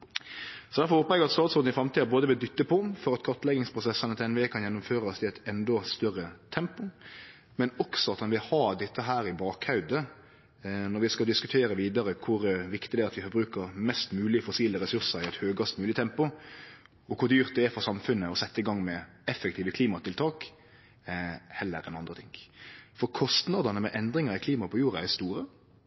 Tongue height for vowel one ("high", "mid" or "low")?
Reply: mid